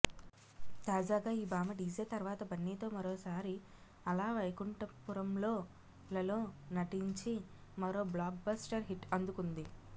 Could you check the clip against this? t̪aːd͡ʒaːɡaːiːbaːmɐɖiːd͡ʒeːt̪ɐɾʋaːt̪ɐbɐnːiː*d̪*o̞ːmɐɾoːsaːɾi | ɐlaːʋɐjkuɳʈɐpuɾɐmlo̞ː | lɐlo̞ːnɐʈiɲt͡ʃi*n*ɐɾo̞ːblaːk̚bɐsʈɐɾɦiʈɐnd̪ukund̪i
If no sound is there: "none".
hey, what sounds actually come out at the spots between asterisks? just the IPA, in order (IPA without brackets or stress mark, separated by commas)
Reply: t̪, m